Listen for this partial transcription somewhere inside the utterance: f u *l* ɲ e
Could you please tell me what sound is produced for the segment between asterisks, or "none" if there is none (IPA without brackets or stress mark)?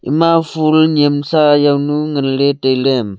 l